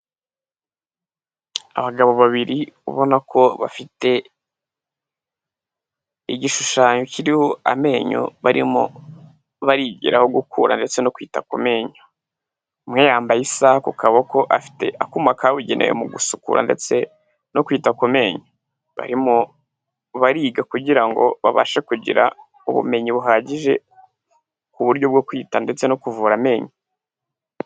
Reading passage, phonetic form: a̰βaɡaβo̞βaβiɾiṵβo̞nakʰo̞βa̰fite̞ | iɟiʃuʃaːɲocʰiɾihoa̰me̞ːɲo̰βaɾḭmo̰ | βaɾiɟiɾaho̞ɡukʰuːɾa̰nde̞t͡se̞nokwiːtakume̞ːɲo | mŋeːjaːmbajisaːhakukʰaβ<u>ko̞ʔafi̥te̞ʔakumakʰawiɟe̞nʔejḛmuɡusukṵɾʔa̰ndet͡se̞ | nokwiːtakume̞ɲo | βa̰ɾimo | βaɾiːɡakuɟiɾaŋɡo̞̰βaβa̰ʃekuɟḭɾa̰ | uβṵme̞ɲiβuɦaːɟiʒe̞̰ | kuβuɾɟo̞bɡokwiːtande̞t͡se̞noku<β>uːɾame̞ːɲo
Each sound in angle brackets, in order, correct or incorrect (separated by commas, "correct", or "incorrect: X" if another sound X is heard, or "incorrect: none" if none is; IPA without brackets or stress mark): incorrect: o, incorrect: v